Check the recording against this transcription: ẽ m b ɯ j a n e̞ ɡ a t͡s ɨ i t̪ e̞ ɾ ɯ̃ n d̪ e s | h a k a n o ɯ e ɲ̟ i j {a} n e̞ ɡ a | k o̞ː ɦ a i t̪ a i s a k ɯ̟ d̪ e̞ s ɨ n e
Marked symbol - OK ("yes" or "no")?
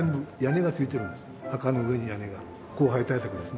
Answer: yes